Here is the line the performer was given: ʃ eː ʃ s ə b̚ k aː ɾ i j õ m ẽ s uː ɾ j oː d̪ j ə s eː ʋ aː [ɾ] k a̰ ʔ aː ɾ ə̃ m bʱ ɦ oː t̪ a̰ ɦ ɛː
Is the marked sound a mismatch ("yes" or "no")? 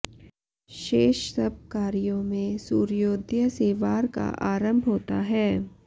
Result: no